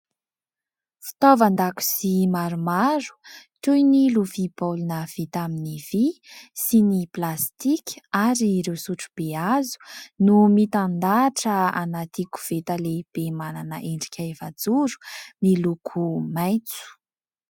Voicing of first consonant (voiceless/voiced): voiceless